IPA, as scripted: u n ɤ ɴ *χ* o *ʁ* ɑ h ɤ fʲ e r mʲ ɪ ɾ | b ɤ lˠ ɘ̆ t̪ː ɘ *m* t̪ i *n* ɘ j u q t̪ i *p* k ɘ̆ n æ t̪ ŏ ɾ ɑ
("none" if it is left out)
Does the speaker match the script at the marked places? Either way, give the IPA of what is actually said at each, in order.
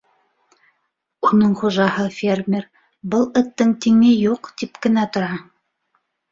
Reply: χ, ʒ, ŋ, ŋ, p

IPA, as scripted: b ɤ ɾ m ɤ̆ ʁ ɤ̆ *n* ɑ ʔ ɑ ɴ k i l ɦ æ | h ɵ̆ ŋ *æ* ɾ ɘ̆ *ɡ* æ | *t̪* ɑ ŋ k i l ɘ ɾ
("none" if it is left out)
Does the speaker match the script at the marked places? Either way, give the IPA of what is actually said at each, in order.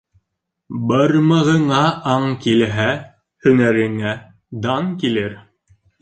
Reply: ɴ, æ, ŋ, d̪

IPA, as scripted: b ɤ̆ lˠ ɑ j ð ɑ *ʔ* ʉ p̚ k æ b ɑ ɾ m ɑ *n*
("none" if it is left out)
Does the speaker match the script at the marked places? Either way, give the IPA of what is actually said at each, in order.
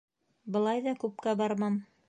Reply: k, m

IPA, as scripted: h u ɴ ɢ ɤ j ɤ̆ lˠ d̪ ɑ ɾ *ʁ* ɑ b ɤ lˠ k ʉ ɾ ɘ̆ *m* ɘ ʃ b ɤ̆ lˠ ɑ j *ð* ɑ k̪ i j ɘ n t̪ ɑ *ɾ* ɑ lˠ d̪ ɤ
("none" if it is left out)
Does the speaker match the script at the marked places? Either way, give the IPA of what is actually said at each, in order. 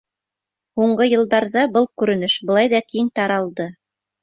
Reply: ð, n, ð, ɾ

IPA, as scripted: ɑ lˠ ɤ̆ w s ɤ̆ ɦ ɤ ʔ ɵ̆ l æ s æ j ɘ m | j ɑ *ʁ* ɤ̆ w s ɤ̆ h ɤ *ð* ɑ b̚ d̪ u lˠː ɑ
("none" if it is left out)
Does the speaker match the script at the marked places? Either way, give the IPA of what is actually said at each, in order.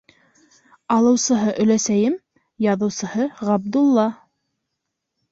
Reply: ð, ʁ

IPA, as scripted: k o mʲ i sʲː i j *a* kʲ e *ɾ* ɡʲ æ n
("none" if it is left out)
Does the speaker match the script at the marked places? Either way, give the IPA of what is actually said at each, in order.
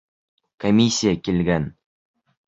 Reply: a, l

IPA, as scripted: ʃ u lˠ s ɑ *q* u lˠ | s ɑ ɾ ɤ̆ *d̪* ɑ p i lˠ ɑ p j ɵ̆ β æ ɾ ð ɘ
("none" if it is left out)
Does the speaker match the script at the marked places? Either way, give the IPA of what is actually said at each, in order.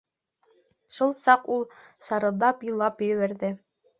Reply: q, d̪

